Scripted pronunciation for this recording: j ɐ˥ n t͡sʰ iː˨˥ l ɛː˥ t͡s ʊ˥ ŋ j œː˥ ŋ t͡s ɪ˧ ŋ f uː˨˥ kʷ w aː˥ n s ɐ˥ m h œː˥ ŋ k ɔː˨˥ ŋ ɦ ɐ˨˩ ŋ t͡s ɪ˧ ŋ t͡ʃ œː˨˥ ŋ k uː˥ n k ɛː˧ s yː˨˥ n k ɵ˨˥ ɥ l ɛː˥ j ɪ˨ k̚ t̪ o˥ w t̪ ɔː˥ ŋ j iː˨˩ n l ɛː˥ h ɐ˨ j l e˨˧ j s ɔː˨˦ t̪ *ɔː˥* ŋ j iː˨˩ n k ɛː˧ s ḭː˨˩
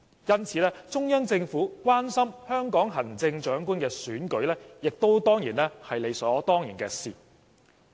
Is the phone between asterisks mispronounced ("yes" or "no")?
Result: no